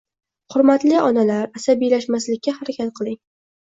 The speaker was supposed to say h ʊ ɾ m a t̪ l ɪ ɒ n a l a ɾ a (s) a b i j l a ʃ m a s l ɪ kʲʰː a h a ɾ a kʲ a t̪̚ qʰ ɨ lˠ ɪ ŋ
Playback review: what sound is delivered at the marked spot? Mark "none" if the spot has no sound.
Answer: s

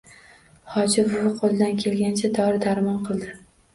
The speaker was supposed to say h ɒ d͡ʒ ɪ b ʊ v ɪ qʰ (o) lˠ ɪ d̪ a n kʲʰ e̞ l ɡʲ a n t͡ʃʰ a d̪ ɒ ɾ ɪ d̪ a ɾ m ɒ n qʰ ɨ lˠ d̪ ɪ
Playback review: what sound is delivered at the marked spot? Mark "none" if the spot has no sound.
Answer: o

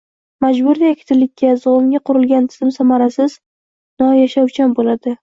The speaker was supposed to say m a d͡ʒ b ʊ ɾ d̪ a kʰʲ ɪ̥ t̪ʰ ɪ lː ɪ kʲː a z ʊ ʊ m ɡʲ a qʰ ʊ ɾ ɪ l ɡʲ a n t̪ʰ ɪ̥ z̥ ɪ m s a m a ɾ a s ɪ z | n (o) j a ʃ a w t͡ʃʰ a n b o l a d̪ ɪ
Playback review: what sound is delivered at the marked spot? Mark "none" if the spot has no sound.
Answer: ɒ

